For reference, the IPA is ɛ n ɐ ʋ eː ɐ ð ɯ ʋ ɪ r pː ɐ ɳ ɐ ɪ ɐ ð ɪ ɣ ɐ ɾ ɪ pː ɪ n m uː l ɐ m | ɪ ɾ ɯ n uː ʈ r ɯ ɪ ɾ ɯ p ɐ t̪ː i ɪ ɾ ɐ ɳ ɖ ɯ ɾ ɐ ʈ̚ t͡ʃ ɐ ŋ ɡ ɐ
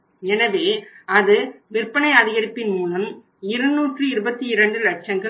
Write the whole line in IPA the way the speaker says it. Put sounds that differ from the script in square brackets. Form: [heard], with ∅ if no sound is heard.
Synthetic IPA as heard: ɛ n ɐ ʋ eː ɐ ð ɯ ʋ ɪ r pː ɐ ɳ ɐ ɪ ɐ ð ɪ ɣ ɐ ɾ ɪ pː ɪ n m uː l ɐ m | ɪ ɾ ɯ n uː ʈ r ɯ ɪ ɾ ɯ [b] ɐ t̪ː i ɪ ɾ ɐ ɳ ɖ ɯ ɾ ɐ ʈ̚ t͡ʃ ɐ ŋ ɡ ɐ